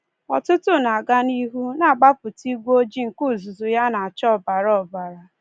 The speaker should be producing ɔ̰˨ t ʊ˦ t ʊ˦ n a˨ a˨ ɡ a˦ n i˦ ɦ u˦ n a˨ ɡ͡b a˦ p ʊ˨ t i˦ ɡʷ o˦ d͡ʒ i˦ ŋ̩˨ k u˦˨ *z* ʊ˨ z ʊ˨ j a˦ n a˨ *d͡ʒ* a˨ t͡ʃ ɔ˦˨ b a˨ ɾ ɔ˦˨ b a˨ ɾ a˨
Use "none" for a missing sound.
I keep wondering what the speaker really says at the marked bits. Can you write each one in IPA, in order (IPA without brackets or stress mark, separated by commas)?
z, none